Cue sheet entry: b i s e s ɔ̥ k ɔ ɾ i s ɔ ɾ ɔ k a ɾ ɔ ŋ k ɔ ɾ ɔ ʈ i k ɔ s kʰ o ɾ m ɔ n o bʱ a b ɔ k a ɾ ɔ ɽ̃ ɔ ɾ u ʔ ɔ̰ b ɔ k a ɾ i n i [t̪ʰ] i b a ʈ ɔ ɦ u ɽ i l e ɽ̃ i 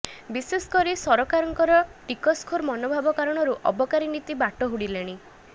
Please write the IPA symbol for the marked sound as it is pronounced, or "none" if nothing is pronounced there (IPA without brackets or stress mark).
t̪